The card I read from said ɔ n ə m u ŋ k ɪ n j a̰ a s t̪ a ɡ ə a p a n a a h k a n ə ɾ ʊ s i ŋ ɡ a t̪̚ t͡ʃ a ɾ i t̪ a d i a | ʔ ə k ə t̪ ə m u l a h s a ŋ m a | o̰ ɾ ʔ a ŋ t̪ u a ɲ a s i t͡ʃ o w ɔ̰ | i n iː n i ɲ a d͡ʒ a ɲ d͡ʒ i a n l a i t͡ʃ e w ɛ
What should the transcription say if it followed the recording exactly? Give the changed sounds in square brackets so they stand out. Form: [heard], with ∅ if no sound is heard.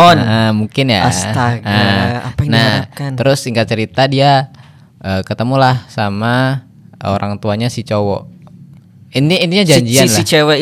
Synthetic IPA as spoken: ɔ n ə m u ŋ k ɪ n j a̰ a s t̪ a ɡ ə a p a n a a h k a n ə ɾ ʊ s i ŋ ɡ a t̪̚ t͡ʃ [ə] ɾ i t̪ a d i a | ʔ ə k ə t̪ ə m u l a h s a [∅] m a | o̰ ɾ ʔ a ŋ t̪ u a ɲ a s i t͡ʃ o w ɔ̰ | i n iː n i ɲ a d͡ʒ a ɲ d͡ʒ i a n l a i t͡ʃ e w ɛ